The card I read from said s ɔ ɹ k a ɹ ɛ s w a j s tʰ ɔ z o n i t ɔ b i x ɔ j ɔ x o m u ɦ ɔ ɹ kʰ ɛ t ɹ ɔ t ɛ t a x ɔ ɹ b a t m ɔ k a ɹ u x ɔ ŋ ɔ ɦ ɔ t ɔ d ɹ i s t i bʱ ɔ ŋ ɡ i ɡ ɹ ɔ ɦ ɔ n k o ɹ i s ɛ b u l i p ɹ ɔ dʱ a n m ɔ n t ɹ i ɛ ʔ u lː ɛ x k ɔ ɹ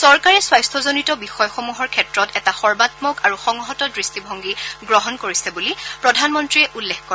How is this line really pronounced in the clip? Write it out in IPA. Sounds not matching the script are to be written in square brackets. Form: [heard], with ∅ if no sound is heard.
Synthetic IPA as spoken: s ɔ ɹ k a ɹ ɛ s w a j s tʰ ɔ z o n i t ɔ b i x ɔ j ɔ x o m u ɦ ɔ ɹ kʰ ɛ t ɹ ɔ t ɛ t a x ɔ ɹ b a t m ɔ k a ɹ u x ɔ ŋ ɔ ɦ ɔ t ɔ d ɹ i s t i bʱ ɔ ŋ ɡ i ɡ ɹ ɔ ɦ ɔ n k o ɹ i s ɛ b u l i p ɹ ɔ dʱ a n m ɔ n t ɹ i ɛ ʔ u lː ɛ x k ɔ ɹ